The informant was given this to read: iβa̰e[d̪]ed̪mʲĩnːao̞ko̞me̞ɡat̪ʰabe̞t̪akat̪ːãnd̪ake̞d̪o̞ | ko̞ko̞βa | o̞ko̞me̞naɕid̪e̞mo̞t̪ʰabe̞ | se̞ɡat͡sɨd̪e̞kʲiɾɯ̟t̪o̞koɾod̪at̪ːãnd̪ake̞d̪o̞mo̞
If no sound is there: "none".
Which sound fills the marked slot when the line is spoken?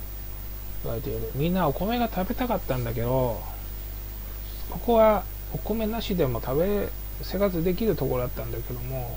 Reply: t̪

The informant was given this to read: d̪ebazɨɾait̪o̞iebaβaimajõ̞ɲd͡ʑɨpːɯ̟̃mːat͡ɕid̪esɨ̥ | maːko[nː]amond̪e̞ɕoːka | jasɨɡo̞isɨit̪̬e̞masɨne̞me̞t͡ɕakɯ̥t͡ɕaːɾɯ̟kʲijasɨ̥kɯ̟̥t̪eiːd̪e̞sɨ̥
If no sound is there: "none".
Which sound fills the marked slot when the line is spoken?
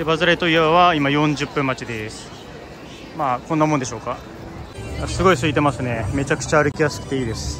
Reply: nː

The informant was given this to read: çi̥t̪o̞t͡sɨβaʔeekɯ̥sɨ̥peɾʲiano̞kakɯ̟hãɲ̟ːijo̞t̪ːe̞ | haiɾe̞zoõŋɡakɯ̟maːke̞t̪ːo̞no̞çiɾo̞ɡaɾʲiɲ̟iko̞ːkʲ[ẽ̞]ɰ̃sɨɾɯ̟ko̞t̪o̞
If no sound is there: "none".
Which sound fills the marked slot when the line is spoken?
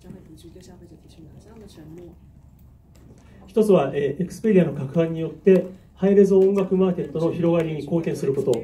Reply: ẽ̞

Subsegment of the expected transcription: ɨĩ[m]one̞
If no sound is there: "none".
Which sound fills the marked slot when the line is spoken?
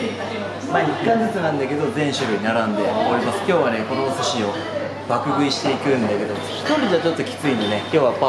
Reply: n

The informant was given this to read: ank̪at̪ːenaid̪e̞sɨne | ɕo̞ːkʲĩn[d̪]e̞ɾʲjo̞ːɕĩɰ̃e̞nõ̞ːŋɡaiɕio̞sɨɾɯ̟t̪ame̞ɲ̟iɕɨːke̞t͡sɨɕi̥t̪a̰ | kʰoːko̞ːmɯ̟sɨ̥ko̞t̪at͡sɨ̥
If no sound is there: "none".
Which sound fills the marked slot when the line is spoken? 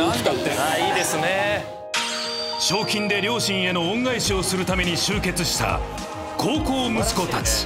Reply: d̪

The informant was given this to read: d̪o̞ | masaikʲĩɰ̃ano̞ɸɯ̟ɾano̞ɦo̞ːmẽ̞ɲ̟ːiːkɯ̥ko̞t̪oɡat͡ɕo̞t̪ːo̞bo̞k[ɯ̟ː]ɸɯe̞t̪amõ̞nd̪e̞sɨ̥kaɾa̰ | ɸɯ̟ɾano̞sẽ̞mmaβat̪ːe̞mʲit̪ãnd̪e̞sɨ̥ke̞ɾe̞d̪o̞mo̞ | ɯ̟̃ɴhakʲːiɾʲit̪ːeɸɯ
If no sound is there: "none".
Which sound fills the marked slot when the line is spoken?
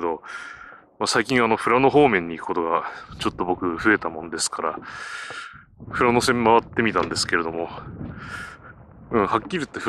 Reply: ɯ̟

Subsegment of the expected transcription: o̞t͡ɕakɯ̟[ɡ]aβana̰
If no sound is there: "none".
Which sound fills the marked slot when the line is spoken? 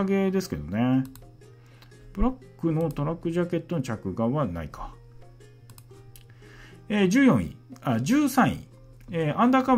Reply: ɡ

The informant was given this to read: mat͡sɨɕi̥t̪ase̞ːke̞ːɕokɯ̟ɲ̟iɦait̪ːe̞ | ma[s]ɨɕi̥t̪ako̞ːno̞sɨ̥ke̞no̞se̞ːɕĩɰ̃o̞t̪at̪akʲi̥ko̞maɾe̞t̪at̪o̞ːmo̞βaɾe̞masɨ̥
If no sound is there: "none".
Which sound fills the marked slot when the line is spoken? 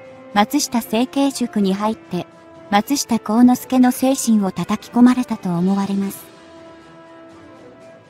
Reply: t͡s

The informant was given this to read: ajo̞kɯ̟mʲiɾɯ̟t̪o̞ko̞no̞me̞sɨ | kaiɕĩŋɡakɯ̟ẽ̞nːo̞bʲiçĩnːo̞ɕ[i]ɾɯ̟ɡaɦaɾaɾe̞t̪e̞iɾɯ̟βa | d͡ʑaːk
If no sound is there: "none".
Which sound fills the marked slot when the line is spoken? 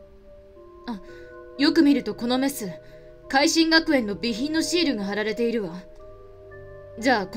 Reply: iː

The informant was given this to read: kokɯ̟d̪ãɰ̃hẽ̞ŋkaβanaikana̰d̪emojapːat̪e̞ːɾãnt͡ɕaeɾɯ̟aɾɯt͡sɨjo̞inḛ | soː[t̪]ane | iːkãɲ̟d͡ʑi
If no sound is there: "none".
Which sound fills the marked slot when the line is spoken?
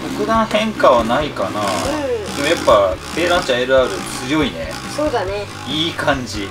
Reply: d̪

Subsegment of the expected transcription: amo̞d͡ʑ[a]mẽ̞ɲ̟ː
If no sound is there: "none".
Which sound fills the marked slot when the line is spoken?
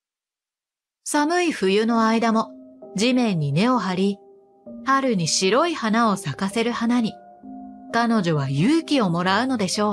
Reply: i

